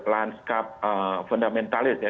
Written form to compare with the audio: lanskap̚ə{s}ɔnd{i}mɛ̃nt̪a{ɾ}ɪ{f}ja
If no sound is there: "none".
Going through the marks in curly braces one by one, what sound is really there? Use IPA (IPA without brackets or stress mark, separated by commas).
f, a, l, s